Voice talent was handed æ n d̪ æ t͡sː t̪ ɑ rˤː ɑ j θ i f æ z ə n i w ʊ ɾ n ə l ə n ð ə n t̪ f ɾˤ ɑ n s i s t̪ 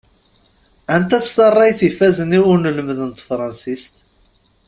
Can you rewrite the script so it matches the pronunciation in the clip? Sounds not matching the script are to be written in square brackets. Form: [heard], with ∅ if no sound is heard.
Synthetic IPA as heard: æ n [t̪] æ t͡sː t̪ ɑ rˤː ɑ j θ i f æ z ə n i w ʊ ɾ n ə l ə [m] ð ə n t̪ f ɾˤ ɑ n s i s t̪